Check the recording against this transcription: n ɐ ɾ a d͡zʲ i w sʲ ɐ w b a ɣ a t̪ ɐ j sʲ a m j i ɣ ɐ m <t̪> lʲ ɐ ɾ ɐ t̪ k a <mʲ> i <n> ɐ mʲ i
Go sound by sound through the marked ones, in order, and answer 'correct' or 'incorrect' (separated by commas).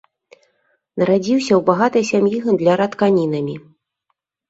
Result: incorrect, incorrect, correct